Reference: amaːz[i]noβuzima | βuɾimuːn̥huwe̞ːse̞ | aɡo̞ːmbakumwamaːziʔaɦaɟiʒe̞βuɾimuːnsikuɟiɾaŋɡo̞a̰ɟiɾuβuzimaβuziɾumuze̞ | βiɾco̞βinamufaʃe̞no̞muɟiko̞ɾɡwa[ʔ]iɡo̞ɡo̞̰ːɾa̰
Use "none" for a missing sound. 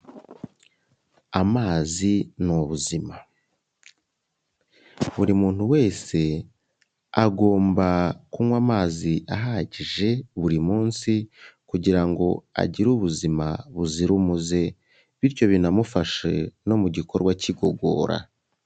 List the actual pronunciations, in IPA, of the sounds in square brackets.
i, c

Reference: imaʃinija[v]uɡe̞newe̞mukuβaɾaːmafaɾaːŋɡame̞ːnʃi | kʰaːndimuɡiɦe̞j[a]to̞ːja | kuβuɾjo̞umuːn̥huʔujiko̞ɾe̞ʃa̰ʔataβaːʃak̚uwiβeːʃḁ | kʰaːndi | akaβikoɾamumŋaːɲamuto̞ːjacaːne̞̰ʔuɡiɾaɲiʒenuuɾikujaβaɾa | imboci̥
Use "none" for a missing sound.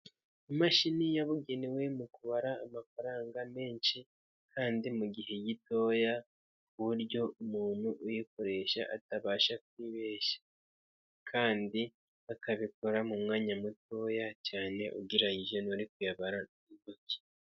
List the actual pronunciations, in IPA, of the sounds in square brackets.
β, i

